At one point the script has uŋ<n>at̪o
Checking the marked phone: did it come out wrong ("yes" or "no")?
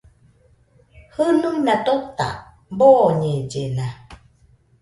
no